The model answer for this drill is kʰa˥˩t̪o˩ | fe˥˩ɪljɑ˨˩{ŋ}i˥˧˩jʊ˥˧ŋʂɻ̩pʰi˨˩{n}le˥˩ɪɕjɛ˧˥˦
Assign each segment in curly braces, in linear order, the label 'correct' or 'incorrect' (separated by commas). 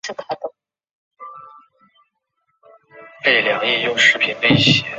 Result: correct, correct